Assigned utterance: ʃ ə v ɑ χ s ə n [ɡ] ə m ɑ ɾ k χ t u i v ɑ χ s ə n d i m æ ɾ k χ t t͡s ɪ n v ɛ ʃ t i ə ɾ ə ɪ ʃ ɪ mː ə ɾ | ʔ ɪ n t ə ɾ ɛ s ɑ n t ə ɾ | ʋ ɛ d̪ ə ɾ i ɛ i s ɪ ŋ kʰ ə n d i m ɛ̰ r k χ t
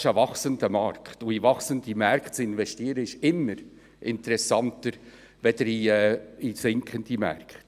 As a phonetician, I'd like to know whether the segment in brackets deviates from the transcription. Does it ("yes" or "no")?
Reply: yes